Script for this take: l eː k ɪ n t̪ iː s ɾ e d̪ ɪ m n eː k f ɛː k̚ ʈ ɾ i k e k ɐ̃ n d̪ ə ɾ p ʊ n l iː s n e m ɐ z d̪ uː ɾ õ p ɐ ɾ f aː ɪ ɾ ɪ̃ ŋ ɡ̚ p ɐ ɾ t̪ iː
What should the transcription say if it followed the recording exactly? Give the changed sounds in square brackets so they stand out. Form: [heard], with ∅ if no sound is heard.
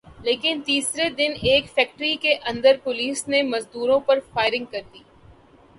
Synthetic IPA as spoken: l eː k ɪ n t̪ iː s ɾ e d̪ ɪ [∅] n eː k f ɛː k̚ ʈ ɾ i k e [ʔ] ɐ̃ n d̪ ə ɾ p ʊ [∅] l iː s n e m ɐ z d̪ uː ɾ õ p ɐ ɾ f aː ɪ ɾ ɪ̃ ŋ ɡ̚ [k] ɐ ɾ [d̪] iː